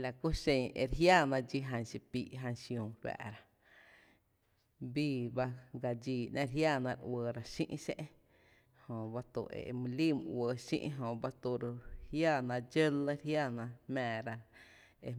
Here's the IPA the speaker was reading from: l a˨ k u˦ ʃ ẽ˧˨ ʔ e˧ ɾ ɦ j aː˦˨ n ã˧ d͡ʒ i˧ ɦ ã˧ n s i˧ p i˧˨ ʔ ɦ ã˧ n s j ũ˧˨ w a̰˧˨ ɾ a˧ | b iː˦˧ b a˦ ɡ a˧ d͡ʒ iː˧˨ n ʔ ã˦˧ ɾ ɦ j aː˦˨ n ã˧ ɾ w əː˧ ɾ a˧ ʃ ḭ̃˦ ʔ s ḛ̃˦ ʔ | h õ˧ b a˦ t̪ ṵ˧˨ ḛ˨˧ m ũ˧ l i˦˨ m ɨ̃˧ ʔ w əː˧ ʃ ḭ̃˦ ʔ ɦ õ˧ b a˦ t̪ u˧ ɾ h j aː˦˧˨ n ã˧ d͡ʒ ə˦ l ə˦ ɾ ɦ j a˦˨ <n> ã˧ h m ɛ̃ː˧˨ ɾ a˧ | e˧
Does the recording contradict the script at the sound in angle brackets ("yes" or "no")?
no